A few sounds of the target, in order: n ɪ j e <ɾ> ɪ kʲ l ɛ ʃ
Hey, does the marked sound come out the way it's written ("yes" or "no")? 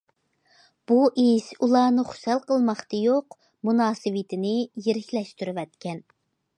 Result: yes